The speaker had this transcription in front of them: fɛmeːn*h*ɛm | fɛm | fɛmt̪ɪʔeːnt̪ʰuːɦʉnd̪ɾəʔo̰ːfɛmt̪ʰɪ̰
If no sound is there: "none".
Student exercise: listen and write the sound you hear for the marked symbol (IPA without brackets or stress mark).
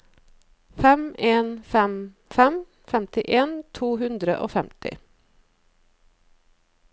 f